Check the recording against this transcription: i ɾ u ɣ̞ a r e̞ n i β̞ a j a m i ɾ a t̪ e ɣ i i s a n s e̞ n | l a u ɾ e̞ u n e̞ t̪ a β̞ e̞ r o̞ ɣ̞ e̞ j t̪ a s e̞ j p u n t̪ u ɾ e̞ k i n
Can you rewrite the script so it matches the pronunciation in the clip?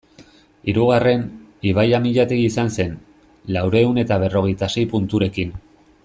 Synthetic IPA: i ɾ u ɣ̞ a r e̞ n i β̞ a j a m i ʎ a t̪ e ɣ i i s a n s e̞ n | l a w ɾ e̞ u n e̞ t̪ a β̞ e̞ r o̞ ɣ̞ e̞ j t̪ a s e̞ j p u n t̪ u ɾ e̞ k i n